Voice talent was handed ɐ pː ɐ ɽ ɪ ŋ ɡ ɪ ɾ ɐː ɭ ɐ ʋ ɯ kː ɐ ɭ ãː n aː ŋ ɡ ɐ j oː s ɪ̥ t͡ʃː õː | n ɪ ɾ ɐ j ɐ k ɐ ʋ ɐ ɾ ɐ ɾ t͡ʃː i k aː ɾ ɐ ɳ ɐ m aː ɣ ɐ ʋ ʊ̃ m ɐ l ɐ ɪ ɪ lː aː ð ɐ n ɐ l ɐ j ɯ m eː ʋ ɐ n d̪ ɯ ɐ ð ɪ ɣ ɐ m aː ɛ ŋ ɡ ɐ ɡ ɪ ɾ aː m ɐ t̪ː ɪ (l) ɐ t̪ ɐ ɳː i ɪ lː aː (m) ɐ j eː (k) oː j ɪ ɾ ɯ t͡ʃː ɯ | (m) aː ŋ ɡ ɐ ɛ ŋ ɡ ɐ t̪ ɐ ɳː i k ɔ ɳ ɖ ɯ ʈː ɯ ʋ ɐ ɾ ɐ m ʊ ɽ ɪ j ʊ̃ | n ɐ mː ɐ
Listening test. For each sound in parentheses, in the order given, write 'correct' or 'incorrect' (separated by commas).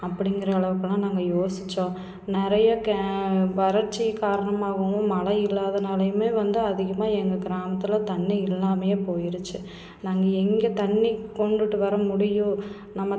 correct, correct, incorrect, incorrect